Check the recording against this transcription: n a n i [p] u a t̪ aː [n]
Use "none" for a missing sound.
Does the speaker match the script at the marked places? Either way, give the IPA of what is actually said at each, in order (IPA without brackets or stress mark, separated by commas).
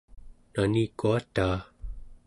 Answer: k, none